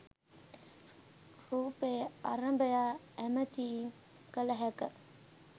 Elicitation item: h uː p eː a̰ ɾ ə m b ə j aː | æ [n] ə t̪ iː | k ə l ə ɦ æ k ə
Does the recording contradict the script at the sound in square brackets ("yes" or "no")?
yes